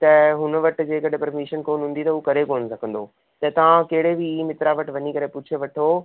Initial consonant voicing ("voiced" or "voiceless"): voiceless